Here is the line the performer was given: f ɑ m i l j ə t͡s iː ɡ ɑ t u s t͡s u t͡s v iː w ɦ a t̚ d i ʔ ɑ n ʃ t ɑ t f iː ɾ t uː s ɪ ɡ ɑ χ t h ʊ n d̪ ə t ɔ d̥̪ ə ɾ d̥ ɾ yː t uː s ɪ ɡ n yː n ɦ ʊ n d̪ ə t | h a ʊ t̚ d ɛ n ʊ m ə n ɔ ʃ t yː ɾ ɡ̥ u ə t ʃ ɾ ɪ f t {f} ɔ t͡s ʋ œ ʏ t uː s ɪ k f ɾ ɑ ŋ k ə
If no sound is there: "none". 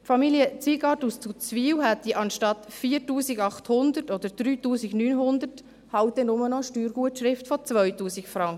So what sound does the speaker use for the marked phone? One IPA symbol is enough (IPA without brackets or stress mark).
f